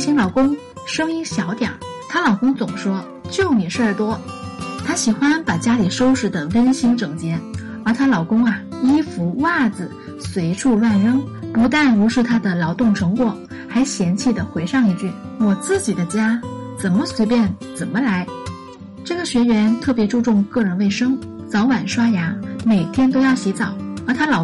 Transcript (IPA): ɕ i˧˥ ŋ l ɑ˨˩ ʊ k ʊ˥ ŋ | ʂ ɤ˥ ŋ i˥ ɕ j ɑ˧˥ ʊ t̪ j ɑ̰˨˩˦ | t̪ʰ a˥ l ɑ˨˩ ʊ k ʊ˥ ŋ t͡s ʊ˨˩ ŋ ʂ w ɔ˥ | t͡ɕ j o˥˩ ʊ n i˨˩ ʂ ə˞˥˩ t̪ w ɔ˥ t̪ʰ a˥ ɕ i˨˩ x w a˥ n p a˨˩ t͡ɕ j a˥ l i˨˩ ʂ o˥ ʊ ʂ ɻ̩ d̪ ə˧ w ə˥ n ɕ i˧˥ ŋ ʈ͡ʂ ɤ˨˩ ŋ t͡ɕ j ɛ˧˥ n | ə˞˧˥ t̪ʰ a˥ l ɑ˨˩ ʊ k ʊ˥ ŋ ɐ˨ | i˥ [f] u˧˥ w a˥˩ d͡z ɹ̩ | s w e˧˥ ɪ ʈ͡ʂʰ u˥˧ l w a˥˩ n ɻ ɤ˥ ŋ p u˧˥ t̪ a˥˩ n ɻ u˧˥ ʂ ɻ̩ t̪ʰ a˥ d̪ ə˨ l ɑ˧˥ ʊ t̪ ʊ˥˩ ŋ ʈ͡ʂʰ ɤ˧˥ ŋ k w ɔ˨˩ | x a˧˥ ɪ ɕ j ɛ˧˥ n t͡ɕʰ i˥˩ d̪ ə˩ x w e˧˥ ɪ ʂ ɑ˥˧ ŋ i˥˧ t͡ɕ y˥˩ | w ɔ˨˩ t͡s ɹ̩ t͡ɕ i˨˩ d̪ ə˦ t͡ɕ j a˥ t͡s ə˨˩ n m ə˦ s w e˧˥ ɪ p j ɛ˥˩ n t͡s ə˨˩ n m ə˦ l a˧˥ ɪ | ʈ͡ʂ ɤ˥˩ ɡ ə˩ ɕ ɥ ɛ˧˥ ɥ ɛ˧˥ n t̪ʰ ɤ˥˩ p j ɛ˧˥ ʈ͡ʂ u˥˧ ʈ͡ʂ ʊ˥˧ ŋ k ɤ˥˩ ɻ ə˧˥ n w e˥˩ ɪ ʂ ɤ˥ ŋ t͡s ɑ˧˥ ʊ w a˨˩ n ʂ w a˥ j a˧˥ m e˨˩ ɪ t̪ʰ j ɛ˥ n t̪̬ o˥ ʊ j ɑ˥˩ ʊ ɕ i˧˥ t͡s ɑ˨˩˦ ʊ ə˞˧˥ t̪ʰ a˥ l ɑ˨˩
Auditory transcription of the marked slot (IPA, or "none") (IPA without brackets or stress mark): f